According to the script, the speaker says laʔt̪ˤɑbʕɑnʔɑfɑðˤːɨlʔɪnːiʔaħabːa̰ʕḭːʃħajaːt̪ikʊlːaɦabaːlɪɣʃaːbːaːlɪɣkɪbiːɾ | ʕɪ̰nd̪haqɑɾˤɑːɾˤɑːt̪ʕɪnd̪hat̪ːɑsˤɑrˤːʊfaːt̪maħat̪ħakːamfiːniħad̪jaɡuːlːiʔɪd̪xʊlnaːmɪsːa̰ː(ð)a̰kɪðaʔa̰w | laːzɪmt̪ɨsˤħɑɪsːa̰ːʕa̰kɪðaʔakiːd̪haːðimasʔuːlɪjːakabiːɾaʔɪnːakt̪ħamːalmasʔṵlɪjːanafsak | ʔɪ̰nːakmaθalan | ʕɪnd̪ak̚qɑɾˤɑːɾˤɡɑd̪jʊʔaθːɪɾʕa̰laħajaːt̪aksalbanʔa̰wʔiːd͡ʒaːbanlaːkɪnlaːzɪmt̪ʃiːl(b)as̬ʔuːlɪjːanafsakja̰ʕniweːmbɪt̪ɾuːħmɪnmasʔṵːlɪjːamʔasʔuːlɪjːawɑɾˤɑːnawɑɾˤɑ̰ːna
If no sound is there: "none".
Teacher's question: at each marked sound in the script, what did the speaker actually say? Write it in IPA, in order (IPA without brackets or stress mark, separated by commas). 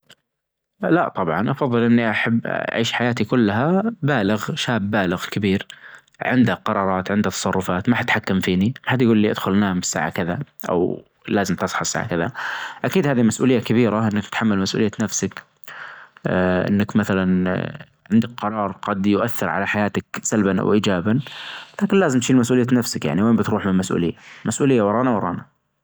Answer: ʕ, m